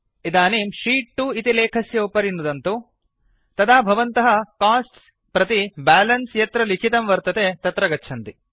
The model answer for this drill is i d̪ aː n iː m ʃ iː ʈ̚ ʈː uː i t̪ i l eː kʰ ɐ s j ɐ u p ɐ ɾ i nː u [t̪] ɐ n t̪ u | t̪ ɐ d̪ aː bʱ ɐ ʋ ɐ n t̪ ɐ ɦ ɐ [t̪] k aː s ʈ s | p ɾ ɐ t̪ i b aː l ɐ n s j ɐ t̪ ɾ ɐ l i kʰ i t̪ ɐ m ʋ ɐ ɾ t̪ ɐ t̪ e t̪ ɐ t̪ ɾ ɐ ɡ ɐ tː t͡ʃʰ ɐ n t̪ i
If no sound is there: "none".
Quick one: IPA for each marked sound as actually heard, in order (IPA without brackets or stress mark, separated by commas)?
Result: d̪, none